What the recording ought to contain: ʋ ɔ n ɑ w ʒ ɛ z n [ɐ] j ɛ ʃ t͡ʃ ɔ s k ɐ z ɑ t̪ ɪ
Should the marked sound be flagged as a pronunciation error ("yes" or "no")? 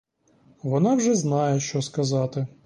yes